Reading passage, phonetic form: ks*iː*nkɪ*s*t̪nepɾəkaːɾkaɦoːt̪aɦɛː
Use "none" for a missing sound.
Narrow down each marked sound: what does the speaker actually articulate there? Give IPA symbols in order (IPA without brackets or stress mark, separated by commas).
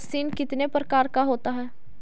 iː, none